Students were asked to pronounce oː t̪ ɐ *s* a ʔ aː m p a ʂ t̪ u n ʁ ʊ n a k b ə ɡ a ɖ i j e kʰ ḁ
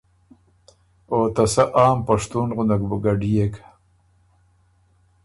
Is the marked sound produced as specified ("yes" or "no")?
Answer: yes